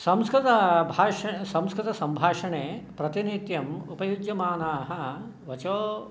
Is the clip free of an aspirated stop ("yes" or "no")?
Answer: yes